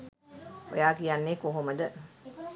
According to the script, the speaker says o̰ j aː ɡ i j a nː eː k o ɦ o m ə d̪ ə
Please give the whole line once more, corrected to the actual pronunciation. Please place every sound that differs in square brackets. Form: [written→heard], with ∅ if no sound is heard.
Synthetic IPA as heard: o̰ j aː [ɡ→k] i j a nː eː k o ɦ o m ə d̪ ə